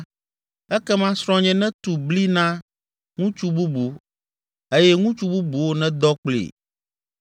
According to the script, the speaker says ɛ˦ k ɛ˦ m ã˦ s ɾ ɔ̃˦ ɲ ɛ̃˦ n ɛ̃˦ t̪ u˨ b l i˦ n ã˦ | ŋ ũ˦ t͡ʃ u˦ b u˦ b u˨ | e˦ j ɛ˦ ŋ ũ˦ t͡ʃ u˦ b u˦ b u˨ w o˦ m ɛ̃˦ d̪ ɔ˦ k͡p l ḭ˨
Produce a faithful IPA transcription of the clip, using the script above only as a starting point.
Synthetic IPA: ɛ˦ k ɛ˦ m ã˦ s ɾ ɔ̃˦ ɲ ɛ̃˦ n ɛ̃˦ t̪ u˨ b l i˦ n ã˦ | ŋ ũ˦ t͡ʃ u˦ b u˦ b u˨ | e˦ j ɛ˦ ŋ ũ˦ t͡ʃ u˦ b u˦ b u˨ w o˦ n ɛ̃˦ d̪ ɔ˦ k͡p l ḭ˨